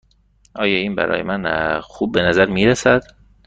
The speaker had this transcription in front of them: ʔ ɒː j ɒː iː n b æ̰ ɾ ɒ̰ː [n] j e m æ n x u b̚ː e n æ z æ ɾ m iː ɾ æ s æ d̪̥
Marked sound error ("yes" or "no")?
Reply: yes